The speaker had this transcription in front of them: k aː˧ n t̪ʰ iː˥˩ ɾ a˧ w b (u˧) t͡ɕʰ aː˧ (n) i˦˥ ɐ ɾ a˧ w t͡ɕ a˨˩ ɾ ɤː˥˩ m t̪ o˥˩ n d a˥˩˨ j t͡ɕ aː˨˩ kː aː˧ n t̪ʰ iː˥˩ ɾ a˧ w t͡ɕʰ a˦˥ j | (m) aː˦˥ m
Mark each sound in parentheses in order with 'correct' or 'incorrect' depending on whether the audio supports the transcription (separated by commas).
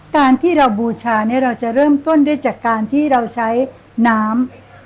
incorrect, correct, incorrect